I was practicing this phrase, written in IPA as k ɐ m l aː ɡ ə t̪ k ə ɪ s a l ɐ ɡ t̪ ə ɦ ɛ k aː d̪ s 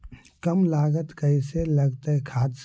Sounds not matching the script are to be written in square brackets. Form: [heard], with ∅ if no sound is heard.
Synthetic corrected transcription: k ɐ m l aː ɡ ə t̪ k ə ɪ s [e] l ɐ ɡ t̪ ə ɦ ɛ [kʰ] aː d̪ s